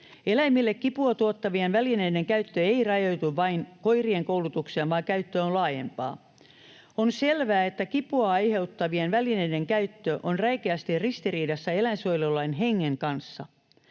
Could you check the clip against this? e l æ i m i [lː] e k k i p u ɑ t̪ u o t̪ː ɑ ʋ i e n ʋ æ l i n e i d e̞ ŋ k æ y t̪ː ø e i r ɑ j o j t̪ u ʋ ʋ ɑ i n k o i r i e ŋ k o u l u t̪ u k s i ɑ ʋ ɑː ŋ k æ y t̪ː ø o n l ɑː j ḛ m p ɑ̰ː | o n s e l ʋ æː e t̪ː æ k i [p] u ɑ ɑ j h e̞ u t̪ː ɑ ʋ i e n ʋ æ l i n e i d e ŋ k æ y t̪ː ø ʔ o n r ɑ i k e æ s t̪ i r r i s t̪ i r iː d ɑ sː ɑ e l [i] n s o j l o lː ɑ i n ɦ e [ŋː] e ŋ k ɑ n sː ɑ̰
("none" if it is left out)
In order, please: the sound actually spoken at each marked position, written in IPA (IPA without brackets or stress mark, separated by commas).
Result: lː, p, æ, ŋː